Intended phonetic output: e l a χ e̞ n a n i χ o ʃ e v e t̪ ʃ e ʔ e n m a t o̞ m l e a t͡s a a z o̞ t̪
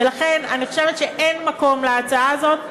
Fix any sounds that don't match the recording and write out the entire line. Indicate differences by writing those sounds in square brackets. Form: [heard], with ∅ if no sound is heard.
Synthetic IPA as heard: e l a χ e̞ n a n i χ o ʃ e v e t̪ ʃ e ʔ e n m a [k] o̞ m l e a t͡s a a z o̞ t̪